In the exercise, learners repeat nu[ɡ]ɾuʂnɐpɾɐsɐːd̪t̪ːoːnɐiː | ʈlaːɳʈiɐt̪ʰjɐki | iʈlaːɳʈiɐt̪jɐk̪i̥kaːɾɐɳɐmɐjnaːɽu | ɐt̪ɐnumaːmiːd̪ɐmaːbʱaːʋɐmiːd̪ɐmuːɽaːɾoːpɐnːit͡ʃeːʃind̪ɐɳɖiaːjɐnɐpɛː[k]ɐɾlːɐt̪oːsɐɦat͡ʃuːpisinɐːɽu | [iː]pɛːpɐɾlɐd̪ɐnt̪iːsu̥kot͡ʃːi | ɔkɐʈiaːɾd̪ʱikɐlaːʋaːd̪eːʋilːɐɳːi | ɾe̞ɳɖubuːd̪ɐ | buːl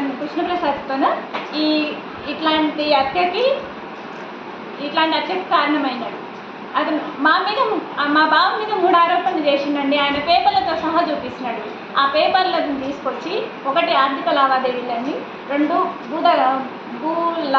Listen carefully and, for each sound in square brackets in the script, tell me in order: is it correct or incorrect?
incorrect, incorrect, incorrect

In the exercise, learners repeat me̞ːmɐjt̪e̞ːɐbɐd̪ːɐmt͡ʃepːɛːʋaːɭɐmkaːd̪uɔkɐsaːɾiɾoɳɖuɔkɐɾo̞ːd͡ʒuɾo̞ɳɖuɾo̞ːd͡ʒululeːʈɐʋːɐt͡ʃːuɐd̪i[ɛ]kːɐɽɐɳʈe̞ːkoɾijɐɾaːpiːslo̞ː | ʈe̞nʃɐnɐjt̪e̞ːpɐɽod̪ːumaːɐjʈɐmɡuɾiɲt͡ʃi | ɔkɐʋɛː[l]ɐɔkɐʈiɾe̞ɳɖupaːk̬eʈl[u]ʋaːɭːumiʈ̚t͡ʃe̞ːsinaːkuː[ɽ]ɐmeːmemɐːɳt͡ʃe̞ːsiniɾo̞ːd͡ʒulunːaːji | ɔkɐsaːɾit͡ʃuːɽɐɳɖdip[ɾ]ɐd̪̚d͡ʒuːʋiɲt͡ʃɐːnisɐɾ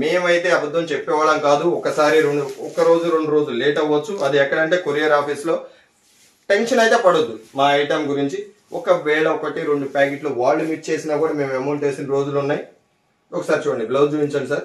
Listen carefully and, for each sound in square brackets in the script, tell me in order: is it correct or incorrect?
correct, incorrect, correct, correct, incorrect

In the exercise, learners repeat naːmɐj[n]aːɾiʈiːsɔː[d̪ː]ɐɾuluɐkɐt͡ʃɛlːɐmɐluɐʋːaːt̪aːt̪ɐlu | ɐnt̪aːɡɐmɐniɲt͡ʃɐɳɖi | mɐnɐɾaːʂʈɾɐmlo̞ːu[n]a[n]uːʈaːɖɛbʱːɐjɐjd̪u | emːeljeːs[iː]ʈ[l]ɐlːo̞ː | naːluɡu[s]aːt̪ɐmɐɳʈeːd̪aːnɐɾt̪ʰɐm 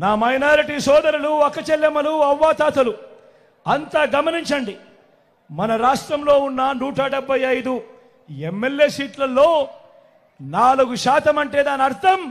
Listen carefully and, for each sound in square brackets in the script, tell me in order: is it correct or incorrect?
correct, incorrect, incorrect, correct, correct, correct, incorrect

